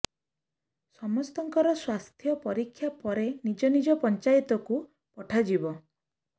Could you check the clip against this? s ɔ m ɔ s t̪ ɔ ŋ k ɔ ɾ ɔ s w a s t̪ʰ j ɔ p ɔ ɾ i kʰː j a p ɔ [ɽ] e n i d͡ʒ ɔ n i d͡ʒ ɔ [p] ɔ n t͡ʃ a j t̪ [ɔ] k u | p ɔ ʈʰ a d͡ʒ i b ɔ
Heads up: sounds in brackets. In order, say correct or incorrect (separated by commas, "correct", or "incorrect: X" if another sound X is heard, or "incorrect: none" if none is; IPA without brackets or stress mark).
incorrect: ɾ, correct, correct